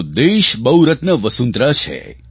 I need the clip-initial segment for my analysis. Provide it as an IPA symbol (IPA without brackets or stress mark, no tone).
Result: d̪